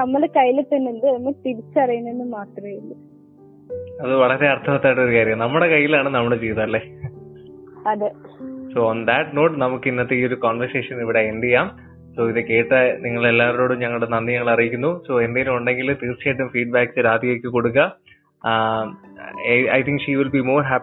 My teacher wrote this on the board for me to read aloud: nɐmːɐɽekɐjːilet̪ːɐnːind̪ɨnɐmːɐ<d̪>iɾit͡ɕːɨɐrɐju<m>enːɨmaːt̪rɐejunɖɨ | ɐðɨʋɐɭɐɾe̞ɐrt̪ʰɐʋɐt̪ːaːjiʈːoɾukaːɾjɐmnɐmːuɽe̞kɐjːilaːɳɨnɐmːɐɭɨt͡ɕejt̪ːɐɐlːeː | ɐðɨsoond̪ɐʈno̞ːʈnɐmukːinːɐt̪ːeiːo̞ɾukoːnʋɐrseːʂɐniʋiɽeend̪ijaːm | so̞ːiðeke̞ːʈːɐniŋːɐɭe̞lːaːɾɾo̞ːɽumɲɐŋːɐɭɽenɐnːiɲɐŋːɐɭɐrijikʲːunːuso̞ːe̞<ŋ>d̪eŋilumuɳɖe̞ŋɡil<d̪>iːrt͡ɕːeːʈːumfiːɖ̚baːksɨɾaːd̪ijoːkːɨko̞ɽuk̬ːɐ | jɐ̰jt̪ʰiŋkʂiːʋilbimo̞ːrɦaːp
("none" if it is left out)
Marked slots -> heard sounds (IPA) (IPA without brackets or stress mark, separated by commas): t̪, n, n, t̪